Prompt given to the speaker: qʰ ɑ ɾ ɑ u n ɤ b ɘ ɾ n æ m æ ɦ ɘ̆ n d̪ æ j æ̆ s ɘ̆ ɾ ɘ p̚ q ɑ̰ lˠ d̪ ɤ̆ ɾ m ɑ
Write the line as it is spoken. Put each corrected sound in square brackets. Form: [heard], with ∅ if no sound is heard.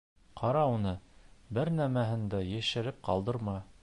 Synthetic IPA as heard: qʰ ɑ ɾ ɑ u n ɤ b ɘ ɾ n æ m æ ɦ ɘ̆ n d̪ æ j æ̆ [ʃ] ɘ̆ ɾ ɘ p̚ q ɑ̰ lˠ d̪ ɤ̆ ɾ m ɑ

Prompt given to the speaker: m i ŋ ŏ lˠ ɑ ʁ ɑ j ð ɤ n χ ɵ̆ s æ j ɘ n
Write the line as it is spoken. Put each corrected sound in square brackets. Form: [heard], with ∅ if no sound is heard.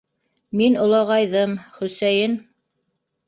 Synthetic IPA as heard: m i [n] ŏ lˠ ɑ ʁ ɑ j ð ɤ [m] χ ɵ̆ s æ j ɘ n

